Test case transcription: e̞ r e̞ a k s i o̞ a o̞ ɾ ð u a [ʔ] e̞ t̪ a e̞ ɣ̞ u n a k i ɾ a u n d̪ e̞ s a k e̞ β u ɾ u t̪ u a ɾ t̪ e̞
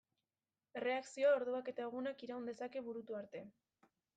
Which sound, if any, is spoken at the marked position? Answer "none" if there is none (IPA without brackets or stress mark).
k